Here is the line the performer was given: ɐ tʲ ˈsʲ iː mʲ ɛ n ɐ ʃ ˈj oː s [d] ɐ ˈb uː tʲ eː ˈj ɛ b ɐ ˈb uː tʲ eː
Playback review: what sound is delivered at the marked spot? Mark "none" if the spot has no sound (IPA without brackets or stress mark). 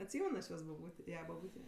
b